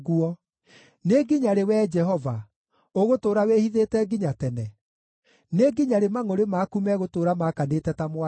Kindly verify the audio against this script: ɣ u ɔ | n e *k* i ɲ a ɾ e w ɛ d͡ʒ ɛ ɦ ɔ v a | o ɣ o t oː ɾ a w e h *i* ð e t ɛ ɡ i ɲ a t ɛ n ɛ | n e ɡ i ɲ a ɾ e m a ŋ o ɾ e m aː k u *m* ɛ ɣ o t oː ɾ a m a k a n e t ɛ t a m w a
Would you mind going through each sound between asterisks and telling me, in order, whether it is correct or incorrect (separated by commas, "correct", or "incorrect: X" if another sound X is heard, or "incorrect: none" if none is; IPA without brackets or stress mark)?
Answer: incorrect: ɡ, correct, correct